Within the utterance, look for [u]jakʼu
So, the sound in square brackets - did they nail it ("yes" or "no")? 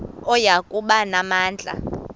no